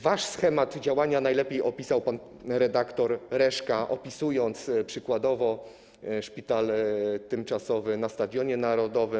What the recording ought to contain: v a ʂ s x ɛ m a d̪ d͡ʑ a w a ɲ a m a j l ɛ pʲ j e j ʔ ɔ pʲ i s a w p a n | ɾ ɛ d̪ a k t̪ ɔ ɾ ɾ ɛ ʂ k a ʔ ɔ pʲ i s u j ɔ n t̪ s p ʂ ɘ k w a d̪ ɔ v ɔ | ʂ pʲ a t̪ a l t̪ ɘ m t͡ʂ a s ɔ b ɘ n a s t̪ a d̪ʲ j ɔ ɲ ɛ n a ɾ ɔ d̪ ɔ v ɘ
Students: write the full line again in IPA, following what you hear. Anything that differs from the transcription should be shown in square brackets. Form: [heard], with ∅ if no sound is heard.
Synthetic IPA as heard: v a ʂ s x ɛ m a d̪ d͡ʑ a w a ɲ a [n] a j l ɛ pʲ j e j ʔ ɔ pʲ i s a w p a n | ɾ ɛ d̪ a k t̪ ɔ ɾ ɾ ɛ ʂ k a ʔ ɔ pʲ i s u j ɔ n t̪ s p ʂ ɘ k w a d̪ ɔ v ɔ | ʂ pʲ [i] t̪ a l t̪ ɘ m t͡ʂ a s ɔ [v] ɘ n a s t̪ a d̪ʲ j ɔ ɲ ɛ n a ɾ ɔ d̪ ɔ v ɘ